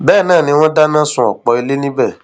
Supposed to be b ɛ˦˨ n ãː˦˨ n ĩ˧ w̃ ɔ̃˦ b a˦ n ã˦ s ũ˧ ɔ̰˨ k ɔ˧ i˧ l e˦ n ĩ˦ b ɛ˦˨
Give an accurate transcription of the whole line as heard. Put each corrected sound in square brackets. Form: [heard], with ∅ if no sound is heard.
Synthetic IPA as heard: b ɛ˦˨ n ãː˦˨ n ĩ˧ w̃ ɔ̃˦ [d] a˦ n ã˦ s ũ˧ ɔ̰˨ [k͡p] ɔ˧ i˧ l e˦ n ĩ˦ b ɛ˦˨